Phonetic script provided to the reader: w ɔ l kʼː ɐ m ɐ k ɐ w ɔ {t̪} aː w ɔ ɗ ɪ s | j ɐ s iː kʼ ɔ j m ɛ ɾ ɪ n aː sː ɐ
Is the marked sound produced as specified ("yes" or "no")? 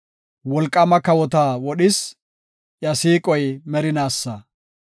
yes